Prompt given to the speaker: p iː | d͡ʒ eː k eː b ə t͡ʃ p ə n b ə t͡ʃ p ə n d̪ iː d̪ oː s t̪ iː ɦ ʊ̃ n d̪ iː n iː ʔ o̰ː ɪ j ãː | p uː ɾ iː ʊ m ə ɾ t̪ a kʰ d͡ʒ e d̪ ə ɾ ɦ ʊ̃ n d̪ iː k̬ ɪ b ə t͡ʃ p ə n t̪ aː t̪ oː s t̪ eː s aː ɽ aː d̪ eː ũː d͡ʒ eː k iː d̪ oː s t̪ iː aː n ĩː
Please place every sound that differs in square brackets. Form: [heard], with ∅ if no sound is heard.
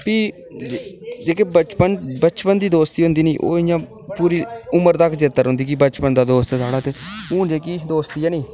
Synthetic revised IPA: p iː | d͡ʒ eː k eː b ə t͡ʃ p ə n b ə t͡ʃ p ə n d̪ iː d̪ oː s t̪ iː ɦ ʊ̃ n d̪ iː n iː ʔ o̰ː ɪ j ãː | p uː ɾ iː ʊ m ə ɾ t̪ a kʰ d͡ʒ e [t̪] ə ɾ ɦ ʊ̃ n d̪ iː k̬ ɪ b ə t͡ʃ p ə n [d̪] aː [d̪] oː s t̪ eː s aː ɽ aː [t̪] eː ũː d͡ʒ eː k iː d̪ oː s t̪ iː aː n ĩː